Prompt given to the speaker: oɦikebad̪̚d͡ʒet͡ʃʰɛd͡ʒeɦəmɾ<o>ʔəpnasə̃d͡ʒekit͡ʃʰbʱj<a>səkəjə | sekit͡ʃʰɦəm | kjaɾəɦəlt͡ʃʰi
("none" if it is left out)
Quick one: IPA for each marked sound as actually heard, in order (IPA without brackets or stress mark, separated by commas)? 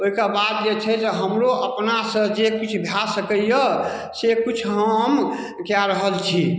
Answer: o, a